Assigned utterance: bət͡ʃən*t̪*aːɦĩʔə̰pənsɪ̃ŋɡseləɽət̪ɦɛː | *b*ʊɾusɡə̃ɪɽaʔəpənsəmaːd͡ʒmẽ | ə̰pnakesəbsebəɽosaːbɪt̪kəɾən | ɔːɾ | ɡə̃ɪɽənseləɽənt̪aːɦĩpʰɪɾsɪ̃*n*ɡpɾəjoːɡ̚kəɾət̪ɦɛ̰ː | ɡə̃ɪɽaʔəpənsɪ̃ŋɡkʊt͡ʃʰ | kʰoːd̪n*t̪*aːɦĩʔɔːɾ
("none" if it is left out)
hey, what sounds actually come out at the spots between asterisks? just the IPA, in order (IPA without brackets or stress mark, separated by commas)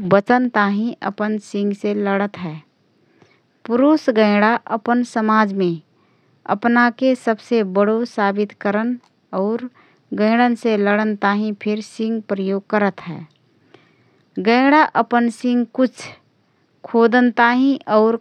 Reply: t̪, p, ŋ, t̪